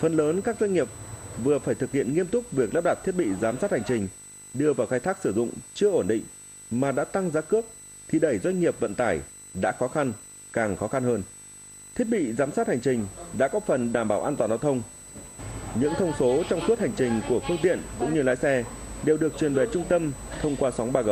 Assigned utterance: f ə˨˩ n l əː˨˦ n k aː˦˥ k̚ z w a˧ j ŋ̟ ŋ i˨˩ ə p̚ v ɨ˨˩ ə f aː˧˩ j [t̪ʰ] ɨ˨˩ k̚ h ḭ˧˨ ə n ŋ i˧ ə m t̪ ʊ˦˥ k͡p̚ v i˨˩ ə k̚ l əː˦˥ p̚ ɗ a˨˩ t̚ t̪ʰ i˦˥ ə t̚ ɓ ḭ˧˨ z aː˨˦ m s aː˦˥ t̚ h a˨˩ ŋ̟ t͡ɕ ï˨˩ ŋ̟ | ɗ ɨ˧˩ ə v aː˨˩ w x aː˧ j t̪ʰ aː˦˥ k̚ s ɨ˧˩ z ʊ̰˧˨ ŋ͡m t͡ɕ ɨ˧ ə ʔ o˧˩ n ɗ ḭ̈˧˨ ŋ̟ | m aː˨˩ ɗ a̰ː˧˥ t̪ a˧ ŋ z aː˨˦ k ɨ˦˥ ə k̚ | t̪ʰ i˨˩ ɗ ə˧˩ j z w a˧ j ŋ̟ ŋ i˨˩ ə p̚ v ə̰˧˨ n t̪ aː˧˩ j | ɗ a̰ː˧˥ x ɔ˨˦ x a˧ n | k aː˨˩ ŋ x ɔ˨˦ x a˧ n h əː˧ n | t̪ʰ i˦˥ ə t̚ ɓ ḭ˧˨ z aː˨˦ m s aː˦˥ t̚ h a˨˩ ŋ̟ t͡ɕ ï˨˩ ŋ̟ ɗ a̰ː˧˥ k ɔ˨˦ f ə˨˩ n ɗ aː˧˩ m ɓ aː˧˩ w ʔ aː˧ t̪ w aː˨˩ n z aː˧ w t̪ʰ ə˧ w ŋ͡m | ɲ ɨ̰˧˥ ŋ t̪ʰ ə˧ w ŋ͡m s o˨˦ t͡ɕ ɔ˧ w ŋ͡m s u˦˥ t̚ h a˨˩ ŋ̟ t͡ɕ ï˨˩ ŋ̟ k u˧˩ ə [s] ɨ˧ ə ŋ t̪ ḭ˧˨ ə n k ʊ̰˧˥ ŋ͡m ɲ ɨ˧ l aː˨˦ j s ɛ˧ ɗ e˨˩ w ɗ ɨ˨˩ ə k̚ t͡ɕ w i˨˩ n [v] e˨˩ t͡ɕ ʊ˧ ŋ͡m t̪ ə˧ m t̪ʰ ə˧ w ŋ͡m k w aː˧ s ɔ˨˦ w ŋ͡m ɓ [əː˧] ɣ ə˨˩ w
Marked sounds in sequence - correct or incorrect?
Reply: incorrect: t̪, incorrect: f, correct, incorrect: aː˧

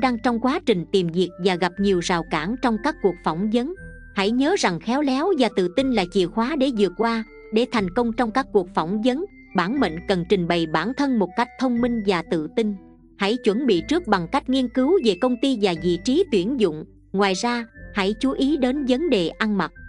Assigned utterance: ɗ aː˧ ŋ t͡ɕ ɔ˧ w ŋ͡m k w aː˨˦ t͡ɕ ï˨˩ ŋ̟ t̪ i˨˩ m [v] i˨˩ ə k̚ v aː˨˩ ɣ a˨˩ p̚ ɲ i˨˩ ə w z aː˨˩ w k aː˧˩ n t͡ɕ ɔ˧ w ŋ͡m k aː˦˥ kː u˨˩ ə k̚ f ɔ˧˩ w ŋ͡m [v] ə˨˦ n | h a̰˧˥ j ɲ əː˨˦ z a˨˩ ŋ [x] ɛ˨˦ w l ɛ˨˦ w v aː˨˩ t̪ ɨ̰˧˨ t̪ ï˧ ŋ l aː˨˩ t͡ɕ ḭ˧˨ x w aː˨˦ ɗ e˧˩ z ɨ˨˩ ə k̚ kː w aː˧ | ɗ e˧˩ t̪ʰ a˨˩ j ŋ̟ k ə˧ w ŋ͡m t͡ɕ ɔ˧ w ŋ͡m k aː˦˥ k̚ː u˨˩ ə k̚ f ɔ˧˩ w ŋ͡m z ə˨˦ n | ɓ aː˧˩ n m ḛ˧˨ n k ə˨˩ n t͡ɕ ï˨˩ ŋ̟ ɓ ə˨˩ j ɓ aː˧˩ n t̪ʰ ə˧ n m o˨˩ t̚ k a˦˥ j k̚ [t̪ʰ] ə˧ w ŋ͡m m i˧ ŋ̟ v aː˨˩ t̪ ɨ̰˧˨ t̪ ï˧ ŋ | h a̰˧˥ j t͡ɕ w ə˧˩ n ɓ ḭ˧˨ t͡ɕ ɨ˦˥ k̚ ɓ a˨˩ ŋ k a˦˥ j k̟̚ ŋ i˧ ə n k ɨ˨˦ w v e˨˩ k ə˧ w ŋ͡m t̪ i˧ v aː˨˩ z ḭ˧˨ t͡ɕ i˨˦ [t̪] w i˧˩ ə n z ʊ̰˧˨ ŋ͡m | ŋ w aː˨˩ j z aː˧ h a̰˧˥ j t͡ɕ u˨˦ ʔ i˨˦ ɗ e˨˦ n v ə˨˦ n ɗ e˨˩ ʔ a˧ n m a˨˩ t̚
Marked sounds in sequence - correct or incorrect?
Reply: incorrect: z, incorrect: z, correct, correct, correct

